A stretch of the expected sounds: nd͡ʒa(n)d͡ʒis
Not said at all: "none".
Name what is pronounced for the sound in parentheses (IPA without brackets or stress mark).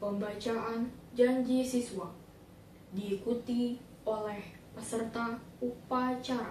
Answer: ɲ